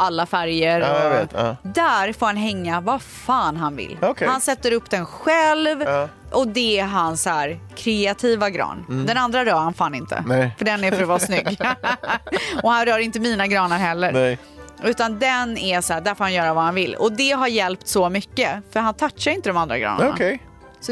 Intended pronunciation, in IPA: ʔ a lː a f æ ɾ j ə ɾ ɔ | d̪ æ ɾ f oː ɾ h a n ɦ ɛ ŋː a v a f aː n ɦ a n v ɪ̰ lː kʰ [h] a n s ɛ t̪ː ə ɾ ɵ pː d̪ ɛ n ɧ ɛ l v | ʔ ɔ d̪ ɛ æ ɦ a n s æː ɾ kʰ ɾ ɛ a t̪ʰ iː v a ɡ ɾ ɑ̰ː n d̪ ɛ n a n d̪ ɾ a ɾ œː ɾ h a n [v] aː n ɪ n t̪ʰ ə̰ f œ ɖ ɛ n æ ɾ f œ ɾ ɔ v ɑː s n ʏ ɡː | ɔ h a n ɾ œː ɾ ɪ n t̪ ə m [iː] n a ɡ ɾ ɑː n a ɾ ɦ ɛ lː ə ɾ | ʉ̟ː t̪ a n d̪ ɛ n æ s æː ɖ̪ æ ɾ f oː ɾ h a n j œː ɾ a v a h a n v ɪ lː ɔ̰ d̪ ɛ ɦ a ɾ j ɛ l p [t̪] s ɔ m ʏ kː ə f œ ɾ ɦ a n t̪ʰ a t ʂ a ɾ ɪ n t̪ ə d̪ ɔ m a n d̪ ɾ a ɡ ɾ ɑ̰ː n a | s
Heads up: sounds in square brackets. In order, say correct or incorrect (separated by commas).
correct, incorrect, correct, correct